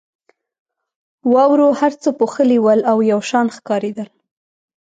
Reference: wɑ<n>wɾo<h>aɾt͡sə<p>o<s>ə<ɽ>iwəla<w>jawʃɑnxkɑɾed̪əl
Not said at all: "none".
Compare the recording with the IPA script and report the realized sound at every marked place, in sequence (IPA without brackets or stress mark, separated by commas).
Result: none, h, p, x, l, w